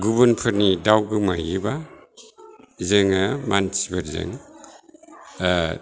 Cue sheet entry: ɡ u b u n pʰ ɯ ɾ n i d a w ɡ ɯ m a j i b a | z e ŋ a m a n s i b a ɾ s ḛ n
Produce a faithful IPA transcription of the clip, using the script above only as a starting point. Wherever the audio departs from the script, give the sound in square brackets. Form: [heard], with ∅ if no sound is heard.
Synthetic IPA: ɡ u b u n pʰ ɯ ɾ n i d a w ɡ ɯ m a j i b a | z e ŋ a m a n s i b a ɾ [z] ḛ [ŋ]